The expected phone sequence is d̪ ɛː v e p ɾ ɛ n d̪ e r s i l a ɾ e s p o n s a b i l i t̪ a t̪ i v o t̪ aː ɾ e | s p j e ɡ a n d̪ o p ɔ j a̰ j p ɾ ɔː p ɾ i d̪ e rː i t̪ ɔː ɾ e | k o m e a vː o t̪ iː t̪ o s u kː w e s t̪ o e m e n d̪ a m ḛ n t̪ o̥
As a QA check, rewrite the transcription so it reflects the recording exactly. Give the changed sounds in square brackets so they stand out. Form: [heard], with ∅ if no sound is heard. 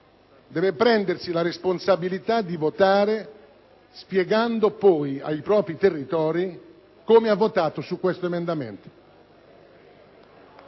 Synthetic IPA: d̪ ɛː v e p ɾ ɛ n d̪ e r s i l a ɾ e s p o n s a b i l i t̪ a [d̪] i v o t̪ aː ɾ e | s p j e ɡ a n d̪ o p ɔ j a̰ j p ɾ ɔː p ɾ i [t̪] e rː i t̪ ɔː ɾ [i] | k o m e a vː o t̪ [aː] t̪ o s u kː w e s t̪ o e m e n d̪ a m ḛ n t̪ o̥